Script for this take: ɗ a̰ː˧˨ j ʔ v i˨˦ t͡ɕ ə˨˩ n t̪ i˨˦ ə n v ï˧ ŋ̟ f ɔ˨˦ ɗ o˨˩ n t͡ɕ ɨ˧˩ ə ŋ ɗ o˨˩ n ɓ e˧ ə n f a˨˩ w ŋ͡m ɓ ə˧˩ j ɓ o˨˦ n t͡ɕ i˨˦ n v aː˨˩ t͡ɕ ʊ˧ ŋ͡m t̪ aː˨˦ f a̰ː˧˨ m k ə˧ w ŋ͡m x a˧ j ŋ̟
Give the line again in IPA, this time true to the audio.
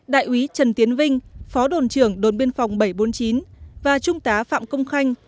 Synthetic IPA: ɗ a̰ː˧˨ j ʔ w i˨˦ t͡ɕ ə˨˩ n t̪ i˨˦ ə n v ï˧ ŋ̟ f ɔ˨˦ ɗ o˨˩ n t͡ɕ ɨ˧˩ ə ŋ ɗ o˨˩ n ɓ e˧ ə n f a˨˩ w ŋ͡m ɓ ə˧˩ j ɓ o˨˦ n t͡ɕ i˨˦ n v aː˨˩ t͡ɕ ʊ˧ ŋ͡m t̪ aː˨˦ f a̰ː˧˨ m k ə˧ w ŋ͡m x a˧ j ŋ̟